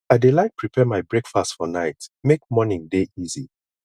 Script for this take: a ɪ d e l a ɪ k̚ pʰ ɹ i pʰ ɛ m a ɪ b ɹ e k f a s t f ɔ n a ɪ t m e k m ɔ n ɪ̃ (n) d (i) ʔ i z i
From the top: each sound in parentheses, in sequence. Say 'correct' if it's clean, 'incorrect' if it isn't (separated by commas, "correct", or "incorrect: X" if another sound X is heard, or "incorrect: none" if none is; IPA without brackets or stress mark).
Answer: incorrect: ŋ, incorrect: e